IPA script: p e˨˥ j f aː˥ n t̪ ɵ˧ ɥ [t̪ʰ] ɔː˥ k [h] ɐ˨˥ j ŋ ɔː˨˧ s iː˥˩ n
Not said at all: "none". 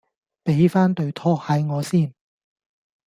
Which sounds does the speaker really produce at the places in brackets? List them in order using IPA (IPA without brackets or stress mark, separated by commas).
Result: t̪ʰ, h